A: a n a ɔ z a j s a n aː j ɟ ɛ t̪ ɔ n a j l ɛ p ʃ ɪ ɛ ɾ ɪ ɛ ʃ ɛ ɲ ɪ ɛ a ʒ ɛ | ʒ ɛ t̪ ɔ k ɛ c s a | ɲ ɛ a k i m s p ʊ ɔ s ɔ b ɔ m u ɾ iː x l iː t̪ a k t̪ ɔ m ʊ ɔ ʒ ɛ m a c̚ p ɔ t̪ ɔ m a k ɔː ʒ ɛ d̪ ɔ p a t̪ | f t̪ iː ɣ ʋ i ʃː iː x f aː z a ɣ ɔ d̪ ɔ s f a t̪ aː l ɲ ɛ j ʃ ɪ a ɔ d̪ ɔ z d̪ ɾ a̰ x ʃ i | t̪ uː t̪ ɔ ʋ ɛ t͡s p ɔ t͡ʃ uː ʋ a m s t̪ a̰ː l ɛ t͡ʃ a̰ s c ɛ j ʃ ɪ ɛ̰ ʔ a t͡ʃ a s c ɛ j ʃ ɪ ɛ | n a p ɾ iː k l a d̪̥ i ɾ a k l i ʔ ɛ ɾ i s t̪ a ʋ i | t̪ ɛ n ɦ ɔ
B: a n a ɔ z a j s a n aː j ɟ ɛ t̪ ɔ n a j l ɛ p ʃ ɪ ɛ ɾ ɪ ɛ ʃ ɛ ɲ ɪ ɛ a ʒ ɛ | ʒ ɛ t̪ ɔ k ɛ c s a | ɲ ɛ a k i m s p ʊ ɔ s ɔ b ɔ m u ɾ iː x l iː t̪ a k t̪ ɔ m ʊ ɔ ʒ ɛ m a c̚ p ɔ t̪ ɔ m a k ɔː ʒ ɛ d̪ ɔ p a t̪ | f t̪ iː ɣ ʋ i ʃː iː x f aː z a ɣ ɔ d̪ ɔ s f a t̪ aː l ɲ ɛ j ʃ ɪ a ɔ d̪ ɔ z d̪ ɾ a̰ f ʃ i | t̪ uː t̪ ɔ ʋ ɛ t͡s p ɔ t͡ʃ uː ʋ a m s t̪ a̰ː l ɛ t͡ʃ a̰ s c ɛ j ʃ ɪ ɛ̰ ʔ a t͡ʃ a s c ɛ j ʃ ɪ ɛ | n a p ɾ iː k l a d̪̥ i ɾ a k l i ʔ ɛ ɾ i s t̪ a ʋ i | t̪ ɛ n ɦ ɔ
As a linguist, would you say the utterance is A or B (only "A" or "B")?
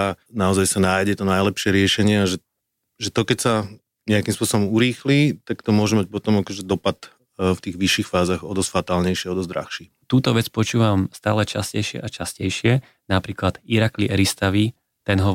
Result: A